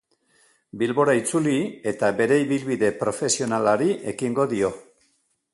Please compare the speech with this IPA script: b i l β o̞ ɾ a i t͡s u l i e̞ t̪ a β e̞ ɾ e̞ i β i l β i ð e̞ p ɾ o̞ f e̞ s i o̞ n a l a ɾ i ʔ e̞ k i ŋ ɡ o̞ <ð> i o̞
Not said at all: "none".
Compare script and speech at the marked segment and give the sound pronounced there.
ð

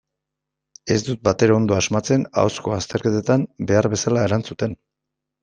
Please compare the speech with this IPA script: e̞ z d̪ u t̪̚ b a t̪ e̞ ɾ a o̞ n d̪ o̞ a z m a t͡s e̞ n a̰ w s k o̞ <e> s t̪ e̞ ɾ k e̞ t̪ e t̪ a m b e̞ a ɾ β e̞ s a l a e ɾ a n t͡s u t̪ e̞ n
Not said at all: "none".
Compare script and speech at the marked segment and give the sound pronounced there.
a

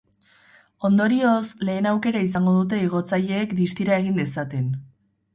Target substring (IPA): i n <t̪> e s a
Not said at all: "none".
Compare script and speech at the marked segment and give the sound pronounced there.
d̪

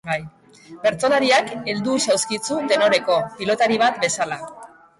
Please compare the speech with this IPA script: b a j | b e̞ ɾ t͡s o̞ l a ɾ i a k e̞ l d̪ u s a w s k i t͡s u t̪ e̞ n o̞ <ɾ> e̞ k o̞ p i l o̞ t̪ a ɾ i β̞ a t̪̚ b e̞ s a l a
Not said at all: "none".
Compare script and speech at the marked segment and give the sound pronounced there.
ɾ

